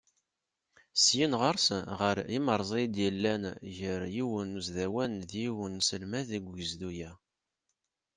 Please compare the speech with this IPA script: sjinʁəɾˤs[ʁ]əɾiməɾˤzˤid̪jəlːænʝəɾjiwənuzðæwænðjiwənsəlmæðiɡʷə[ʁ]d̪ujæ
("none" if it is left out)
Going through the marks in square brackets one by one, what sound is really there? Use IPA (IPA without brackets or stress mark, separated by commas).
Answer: ʁ, z